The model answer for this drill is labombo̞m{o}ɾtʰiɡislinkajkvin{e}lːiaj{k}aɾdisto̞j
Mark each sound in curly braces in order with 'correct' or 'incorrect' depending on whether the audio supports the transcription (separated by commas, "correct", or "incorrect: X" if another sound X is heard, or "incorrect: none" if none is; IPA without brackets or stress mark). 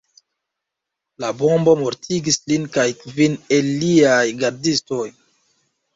correct, correct, incorrect: ɡ